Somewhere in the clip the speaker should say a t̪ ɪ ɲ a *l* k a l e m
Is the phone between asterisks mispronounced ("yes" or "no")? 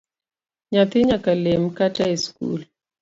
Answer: yes